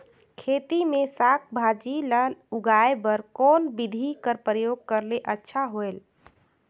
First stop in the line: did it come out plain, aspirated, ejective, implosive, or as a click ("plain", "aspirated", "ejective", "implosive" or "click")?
aspirated